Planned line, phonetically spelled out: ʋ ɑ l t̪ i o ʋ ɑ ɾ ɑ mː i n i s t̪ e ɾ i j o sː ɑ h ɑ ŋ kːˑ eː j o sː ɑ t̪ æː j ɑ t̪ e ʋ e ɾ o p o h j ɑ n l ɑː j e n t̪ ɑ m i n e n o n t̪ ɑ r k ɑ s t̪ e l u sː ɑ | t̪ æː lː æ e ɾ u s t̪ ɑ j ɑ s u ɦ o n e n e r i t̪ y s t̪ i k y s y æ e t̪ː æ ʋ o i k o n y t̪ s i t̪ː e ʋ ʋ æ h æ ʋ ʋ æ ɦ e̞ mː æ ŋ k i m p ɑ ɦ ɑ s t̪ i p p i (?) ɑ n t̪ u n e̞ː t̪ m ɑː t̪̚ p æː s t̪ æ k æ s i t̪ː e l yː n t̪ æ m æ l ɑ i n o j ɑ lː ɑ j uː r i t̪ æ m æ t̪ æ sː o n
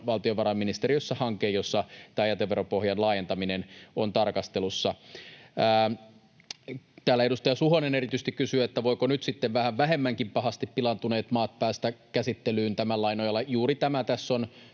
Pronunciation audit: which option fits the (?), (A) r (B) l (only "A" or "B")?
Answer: B